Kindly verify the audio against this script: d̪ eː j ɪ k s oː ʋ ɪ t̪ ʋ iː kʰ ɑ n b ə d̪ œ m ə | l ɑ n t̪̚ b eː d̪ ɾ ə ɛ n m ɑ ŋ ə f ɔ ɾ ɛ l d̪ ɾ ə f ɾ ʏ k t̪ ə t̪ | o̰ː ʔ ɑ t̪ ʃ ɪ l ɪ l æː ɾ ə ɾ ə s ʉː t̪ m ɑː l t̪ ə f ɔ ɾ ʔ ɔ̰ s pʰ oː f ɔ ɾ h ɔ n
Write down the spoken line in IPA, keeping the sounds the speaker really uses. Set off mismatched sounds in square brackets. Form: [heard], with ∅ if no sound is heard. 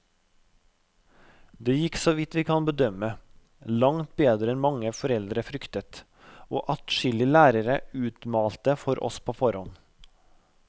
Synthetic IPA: d̪ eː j ɪ k s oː ʋ ɪ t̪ ʋ iː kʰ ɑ n b ə d̪ œ m ə | l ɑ [ŋ] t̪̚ b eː d̪ ɾ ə ɛ n m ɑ ŋ ə f ɔ ɾ ɛ l d̪ ɾ ə f ɾ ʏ k t̪ ə t̪ | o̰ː ʔ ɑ t̪ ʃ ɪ l ɪ l æː ɾ ə ɾ ə [∅] ʉː t̪ m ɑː l t̪ ə f ɔ ɾ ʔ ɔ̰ s pʰ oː f ɔ ɾ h ɔ n